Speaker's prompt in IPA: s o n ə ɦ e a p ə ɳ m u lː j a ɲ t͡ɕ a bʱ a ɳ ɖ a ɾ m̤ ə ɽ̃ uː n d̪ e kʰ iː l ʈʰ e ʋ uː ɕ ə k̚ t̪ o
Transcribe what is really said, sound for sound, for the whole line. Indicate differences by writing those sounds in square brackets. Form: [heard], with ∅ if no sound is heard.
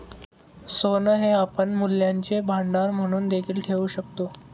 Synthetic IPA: s o n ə ɦ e a p ə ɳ m u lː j a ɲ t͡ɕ [e] bʱ a ɳ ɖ a ɾ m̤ ə ɽ̃ uː n d̪ e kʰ iː l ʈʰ e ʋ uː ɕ ə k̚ t̪ o